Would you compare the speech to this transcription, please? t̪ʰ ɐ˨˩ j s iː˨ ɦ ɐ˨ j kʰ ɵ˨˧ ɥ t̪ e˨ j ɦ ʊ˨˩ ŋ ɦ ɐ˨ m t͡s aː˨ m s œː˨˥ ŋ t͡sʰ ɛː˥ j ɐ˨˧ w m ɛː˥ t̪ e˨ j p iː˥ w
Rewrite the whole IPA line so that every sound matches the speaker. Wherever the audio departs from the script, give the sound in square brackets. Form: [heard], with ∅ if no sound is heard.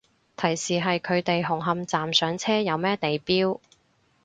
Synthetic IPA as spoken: t̪ʰ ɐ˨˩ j s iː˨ ɦ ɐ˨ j kʰ ɵ˨˧ ɥ t̪ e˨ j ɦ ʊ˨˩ ŋ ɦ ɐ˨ m t͡s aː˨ m s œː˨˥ ŋ t͡sʰ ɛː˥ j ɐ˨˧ w m ɛː˥ t̪ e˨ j p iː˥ w